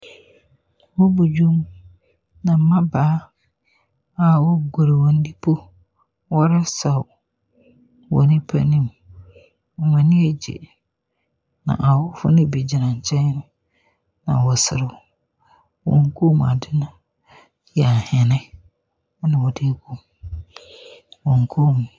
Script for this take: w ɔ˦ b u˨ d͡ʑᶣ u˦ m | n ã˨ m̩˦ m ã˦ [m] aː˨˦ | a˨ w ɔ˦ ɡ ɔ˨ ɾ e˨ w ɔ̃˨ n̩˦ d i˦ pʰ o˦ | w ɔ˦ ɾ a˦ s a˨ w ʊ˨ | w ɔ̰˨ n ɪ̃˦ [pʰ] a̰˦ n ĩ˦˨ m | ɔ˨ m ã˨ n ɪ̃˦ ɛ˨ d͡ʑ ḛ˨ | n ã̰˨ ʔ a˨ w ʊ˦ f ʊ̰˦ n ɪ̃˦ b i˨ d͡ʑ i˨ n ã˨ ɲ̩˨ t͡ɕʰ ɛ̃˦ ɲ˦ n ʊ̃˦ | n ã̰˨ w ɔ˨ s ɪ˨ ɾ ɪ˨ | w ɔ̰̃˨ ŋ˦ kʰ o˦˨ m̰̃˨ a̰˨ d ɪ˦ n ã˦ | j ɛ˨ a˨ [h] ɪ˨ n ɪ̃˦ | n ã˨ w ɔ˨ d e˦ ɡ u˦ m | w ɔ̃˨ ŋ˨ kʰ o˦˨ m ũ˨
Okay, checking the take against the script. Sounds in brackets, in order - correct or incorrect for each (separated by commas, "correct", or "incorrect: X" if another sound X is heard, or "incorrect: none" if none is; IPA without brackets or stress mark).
incorrect: b, correct, correct